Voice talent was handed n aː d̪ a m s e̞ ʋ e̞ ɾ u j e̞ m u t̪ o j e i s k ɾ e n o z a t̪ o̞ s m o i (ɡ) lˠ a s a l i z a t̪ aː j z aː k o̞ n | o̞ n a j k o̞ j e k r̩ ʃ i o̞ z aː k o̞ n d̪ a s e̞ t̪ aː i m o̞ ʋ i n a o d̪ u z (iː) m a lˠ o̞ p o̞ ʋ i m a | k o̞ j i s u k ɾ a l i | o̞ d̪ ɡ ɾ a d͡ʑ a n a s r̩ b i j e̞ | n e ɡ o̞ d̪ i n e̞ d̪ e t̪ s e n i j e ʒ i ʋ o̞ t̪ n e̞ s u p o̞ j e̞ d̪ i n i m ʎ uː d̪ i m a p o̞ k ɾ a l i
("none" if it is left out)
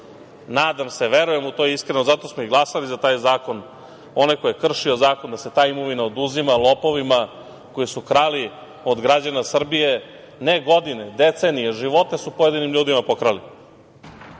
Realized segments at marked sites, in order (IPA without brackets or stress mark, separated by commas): ɡ, i